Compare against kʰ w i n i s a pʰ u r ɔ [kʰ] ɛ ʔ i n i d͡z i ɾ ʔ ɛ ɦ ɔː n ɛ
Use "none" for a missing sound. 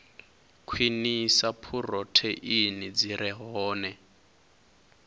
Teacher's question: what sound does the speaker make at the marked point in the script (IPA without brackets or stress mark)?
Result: tʰ